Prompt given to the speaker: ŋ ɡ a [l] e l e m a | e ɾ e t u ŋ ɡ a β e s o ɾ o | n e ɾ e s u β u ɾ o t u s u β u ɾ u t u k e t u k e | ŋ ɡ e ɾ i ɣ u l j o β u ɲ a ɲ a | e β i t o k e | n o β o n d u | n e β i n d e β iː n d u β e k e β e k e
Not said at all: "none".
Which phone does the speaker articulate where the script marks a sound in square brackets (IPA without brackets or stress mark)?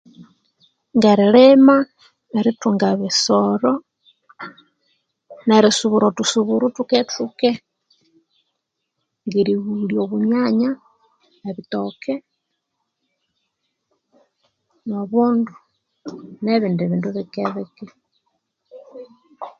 ɾ